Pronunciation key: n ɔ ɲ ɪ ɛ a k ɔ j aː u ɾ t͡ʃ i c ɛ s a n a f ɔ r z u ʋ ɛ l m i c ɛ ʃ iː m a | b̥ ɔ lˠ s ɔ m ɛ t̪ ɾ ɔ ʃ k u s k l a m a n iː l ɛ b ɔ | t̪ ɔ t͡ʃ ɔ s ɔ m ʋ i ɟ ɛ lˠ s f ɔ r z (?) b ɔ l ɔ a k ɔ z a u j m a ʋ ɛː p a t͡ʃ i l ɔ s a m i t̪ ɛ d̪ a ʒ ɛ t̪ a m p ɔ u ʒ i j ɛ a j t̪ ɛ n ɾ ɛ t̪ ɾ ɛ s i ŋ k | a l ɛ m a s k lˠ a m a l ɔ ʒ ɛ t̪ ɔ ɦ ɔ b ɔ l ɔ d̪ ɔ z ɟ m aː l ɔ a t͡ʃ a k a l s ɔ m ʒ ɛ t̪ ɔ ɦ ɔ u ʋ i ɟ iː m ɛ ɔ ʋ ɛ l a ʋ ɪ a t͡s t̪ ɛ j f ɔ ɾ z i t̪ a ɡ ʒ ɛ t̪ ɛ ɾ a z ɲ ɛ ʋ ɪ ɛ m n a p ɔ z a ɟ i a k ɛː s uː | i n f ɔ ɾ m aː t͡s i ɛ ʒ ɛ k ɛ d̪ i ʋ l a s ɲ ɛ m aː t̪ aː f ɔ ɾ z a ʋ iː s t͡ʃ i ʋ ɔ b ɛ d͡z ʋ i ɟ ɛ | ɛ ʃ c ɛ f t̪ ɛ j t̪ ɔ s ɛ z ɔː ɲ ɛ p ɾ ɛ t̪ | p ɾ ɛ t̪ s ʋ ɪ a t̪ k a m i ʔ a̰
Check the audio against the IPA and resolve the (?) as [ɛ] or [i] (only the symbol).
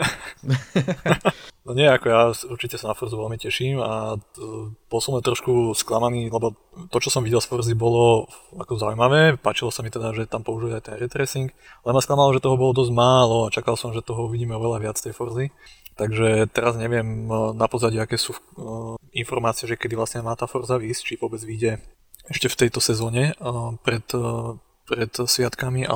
i